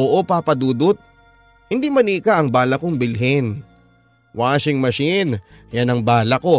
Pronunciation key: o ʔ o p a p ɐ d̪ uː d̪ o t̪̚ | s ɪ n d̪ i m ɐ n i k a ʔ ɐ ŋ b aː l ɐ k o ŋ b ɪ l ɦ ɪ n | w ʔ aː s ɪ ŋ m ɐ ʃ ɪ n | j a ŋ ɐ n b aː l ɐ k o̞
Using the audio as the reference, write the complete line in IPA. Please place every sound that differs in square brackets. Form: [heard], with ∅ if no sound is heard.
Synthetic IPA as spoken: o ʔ o p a p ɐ d̪ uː d̪ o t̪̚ | [h] ɪ n d̪ i m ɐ n i k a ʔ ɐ ŋ b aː l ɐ k o ŋ b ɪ l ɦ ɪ n | w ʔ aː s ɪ ŋ m ɐ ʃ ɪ n | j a [n] ɐ [ŋ] b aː l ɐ k o̞